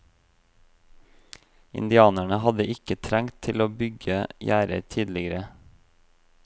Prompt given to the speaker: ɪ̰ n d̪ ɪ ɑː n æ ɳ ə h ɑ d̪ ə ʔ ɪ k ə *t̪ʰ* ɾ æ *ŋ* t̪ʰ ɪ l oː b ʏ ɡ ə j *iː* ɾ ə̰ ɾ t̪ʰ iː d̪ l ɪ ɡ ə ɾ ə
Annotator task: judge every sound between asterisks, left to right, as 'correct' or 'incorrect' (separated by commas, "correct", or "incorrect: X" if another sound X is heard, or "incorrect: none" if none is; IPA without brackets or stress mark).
correct, correct, incorrect: æː